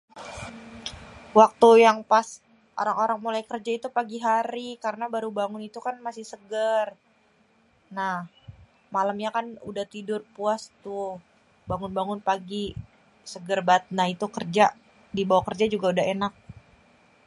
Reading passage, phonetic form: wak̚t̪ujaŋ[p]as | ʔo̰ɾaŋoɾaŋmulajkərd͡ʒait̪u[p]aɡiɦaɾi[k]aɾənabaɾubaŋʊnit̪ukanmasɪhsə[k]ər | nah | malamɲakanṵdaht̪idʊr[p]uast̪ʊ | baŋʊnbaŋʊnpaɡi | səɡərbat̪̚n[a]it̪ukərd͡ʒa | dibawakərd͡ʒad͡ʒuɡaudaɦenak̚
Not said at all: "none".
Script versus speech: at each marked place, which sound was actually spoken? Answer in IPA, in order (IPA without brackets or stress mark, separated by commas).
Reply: p, p, k, ɡ, p, a